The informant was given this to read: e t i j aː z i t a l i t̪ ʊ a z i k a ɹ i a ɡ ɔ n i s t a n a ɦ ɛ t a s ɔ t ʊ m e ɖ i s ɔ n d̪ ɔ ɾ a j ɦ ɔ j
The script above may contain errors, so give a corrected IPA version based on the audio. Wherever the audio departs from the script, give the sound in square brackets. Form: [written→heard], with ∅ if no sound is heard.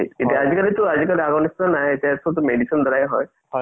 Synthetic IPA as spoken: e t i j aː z i [t→k] a l i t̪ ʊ a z i k a [ɹ→l] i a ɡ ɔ n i s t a n a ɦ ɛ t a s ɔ t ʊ m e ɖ i s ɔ n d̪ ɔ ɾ a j ɦ ɔ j